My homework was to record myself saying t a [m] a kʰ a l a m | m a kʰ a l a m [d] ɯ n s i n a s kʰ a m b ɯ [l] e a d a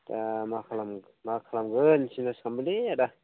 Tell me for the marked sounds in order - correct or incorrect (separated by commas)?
correct, incorrect, correct